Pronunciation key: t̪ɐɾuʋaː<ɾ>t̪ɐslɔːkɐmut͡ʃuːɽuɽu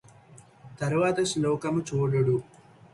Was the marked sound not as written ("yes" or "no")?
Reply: yes